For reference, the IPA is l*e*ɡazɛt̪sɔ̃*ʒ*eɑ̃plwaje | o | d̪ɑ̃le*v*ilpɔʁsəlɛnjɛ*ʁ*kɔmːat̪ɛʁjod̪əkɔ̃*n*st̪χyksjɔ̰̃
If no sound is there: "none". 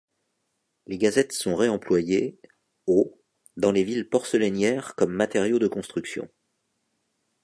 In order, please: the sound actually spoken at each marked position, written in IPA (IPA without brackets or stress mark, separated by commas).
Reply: e, ʁ, v, ʁ, none